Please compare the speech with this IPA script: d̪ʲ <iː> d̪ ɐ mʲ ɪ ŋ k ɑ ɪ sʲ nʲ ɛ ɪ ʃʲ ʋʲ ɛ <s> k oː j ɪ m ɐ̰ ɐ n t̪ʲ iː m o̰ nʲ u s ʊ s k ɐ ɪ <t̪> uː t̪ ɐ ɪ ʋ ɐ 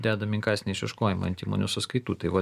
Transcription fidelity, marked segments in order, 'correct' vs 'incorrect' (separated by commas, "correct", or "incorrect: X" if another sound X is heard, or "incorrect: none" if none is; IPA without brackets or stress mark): incorrect: æː, incorrect: ʃ, correct